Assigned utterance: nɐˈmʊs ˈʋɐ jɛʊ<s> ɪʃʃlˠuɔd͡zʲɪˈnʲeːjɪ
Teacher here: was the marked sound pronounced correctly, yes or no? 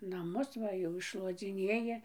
no